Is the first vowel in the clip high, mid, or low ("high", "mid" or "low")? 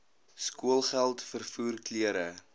high